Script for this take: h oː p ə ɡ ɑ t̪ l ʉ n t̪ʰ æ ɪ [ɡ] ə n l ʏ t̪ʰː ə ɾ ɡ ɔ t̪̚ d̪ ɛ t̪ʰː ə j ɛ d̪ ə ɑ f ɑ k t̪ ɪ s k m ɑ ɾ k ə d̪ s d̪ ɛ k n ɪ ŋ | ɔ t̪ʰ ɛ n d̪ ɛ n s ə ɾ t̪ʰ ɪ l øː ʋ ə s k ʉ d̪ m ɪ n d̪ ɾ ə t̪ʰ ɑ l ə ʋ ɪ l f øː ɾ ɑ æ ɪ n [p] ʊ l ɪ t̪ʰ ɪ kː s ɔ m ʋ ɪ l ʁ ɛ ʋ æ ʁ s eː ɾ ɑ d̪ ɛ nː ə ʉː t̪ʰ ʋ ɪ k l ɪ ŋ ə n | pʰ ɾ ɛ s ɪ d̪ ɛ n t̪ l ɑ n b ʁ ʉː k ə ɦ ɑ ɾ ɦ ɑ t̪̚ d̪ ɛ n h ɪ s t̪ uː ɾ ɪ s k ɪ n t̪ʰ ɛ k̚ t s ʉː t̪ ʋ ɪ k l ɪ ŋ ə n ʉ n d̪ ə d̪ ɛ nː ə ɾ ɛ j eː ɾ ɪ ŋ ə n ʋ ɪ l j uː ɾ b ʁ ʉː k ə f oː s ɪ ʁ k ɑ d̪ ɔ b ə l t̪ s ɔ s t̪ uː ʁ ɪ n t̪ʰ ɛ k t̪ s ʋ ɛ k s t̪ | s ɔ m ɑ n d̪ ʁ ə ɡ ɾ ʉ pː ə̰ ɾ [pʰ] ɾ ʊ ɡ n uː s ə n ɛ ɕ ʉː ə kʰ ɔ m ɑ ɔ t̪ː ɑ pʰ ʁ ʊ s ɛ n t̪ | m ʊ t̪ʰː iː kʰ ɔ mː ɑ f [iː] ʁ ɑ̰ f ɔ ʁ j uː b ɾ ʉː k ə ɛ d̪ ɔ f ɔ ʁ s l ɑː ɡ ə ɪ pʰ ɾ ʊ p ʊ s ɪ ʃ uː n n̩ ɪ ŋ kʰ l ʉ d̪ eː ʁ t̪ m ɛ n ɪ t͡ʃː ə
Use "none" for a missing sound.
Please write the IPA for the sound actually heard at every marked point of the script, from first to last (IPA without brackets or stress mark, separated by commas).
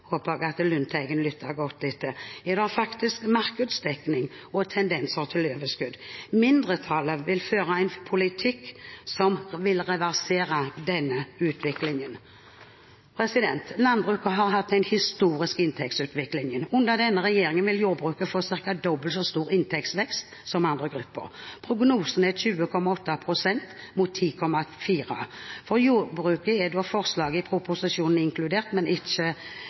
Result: ɡ, pʰ, pʰ, iː